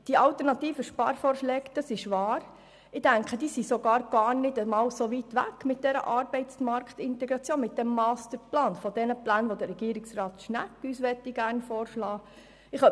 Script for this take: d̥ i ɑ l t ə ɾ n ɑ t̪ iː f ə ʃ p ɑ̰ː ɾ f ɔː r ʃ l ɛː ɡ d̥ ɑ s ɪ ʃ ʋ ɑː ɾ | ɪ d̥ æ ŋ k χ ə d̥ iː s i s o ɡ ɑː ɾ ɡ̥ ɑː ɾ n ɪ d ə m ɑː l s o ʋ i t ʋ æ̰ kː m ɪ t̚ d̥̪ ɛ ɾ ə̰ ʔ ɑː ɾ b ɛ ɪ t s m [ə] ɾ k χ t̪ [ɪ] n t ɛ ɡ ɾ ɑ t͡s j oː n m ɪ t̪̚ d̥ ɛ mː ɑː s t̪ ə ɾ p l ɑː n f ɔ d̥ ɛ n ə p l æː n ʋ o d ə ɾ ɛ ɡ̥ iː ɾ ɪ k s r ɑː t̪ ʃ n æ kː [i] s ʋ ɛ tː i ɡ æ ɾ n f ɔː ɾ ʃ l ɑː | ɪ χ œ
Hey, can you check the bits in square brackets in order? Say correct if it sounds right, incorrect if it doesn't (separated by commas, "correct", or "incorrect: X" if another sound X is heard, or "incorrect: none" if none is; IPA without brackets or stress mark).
incorrect: ɑ, correct, incorrect: y